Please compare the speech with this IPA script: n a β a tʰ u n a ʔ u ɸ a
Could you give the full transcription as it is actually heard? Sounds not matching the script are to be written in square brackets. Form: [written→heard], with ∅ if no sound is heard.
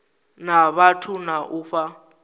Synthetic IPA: n a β a tʰ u n a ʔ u ɸ a